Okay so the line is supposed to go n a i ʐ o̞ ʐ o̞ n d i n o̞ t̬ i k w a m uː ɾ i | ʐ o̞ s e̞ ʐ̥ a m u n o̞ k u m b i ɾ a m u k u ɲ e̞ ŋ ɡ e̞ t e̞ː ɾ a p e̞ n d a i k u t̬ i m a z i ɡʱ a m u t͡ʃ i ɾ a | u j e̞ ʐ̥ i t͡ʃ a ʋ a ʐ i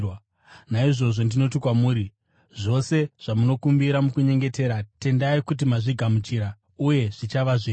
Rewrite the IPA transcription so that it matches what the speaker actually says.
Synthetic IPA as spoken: n a i ʐ o̞ ʐ o̞ n d i n o̞ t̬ i k w a m uː ɾ i | ʐ o̞ s e̞ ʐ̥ a m u n o̞ k u m b i ɾ a m u k u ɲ e̞ ŋ ɡ e̞ t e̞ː ɾ a t e̞ n d a i k u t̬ i m a ʐ i ɡʱ a m u t͡ʃ i ɾ a | u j e̞ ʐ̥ i t͡ʃ a ʋ a ʐ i